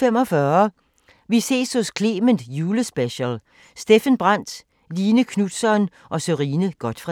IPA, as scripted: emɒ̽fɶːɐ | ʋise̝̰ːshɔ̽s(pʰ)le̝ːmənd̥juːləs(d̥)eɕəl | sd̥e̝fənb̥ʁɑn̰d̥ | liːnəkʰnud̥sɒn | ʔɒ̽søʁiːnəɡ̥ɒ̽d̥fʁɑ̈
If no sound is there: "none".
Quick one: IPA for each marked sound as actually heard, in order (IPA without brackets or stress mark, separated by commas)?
kʰ, b̥